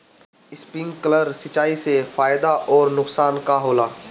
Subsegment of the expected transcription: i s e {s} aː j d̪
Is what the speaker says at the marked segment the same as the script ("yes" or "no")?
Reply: no